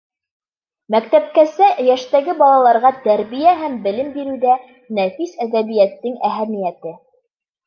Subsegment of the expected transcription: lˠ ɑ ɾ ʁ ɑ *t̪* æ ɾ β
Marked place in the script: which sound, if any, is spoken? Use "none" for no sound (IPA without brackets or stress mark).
t̪